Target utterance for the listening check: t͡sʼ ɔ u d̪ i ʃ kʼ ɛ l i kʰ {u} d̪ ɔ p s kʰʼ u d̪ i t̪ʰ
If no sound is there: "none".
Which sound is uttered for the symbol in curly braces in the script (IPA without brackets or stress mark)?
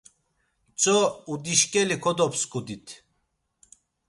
ɔ